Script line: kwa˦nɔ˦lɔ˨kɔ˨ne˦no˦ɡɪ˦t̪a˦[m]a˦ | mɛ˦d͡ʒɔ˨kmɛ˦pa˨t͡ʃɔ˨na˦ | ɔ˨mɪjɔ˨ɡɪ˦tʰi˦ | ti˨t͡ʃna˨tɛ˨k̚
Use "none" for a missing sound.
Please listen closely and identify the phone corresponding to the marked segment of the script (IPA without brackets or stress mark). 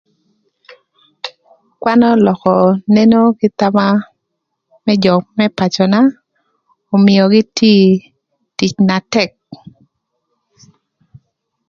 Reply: m